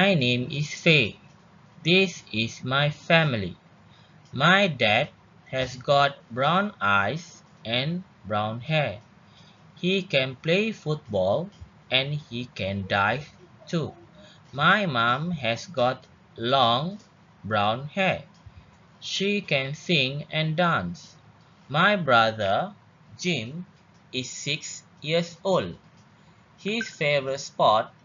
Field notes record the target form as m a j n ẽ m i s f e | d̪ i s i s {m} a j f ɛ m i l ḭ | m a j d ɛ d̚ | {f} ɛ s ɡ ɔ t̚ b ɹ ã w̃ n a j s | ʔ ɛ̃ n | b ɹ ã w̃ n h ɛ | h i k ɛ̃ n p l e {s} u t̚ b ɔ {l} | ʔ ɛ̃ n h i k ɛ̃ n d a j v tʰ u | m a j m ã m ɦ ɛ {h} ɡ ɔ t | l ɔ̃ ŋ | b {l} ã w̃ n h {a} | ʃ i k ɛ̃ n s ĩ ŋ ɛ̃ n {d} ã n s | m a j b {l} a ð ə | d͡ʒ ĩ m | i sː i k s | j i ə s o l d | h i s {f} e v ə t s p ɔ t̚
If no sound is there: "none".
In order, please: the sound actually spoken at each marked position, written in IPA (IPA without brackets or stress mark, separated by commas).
m, h, f, l, s, ɹ, ɛ, d, ɹ, f